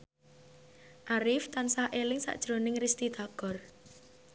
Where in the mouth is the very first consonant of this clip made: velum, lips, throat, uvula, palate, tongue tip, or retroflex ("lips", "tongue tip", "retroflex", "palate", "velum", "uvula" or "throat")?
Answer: throat